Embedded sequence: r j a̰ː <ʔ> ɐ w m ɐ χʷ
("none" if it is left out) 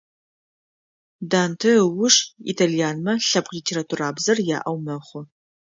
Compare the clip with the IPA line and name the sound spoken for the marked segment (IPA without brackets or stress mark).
ʔ